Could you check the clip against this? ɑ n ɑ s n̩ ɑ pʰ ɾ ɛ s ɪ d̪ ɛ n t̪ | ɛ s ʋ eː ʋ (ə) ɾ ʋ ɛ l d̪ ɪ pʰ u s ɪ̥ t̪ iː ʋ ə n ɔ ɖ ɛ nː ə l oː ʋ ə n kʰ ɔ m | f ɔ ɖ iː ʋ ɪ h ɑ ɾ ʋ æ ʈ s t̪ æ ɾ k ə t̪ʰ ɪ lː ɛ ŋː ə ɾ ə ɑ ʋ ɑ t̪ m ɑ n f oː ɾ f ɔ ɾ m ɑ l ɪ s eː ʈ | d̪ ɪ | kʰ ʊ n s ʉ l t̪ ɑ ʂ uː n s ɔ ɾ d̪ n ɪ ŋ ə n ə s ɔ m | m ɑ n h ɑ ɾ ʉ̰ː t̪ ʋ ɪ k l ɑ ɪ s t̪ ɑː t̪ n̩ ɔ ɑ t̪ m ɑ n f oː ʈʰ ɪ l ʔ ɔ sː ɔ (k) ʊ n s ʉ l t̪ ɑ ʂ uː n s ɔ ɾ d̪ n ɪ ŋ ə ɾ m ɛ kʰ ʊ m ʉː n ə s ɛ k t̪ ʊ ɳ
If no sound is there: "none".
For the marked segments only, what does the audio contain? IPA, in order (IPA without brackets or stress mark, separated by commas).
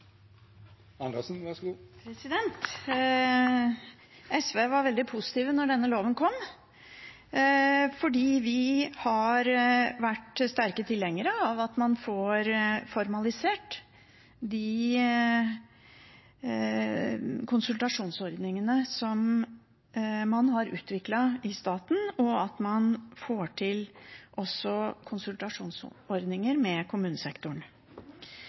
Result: ɑ, kʰ